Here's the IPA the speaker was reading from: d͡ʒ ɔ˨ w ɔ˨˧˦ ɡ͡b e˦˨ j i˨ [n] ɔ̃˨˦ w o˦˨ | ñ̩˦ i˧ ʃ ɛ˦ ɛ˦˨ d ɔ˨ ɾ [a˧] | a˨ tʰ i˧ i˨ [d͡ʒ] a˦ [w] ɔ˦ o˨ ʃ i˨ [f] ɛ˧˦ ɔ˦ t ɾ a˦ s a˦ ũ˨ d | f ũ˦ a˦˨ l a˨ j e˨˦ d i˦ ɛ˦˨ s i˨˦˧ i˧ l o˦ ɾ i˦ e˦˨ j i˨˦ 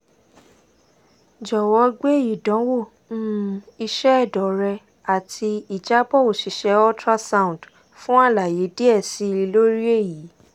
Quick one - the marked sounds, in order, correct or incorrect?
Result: incorrect: d, incorrect: ɛ˧, correct, incorrect: b, incorrect: ʃ

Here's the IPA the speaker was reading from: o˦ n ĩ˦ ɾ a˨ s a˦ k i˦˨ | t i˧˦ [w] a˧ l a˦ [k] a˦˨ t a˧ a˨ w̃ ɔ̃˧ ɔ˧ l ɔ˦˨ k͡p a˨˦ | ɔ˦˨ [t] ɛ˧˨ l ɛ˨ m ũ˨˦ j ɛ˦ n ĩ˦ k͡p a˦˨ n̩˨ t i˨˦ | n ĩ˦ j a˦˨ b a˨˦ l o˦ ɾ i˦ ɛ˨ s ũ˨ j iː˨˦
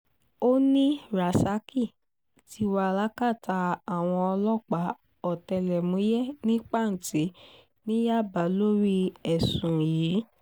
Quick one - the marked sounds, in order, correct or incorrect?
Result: correct, correct, correct

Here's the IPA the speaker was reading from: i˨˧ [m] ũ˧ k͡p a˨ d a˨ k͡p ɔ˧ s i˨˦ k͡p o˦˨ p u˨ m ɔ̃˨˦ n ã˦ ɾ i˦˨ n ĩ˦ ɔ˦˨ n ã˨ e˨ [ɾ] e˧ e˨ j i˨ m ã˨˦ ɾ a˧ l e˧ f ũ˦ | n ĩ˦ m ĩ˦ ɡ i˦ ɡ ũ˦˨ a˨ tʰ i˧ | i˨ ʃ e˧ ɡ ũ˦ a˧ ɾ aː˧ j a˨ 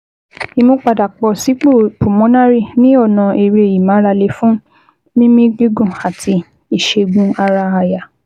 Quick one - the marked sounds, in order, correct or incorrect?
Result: correct, correct

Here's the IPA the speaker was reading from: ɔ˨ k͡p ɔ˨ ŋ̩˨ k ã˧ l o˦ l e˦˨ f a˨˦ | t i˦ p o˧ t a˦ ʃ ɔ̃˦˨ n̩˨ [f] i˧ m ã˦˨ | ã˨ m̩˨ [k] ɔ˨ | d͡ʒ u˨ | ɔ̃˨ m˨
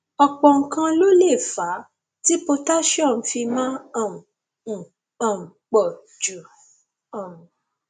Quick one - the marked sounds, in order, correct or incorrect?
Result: correct, incorrect: k͡p

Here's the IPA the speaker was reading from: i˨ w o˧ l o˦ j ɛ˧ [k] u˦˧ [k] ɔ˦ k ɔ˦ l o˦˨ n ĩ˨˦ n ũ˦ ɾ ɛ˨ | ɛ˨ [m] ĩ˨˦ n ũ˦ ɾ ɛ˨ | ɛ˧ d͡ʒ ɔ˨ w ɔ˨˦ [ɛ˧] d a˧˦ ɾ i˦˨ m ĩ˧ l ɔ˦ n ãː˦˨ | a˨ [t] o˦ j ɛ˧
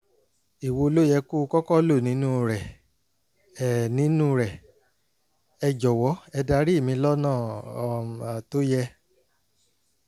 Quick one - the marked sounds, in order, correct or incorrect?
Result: correct, correct, incorrect: n, correct, correct

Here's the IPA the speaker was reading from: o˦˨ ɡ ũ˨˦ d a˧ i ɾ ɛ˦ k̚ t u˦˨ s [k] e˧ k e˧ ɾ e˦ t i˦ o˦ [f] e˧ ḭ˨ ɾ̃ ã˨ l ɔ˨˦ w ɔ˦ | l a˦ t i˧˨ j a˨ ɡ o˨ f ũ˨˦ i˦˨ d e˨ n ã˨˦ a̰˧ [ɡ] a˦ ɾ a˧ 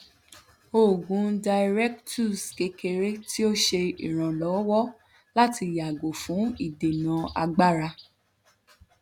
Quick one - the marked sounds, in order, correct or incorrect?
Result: correct, incorrect: ʃ, incorrect: ɡ͡b

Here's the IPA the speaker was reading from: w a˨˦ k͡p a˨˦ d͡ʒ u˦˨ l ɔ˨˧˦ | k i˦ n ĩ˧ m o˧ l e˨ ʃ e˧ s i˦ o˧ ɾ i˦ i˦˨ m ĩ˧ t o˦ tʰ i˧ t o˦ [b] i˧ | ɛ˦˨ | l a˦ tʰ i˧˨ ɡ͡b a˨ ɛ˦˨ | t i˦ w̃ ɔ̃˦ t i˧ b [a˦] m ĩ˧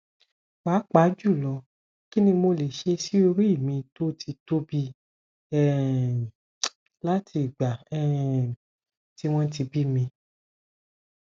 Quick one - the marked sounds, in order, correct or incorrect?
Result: correct, incorrect: i˦

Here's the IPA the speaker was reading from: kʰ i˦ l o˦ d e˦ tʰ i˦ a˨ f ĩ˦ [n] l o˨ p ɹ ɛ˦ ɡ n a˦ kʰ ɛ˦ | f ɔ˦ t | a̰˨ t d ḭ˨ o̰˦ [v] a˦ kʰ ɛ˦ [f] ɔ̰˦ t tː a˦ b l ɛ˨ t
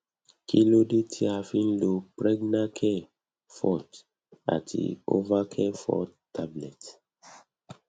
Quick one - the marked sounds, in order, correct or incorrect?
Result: correct, correct, correct

